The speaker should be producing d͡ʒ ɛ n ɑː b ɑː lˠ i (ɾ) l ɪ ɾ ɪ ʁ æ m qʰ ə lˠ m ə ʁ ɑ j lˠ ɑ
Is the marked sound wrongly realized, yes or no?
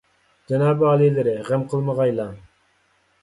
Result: yes